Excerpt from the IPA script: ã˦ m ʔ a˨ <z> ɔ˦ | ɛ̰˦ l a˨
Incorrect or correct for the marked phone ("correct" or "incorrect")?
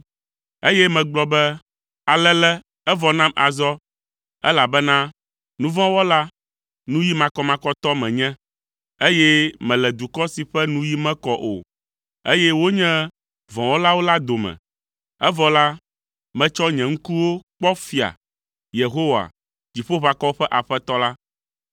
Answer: correct